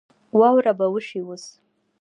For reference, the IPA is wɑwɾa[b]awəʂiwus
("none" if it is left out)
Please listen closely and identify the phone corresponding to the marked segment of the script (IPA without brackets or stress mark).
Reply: b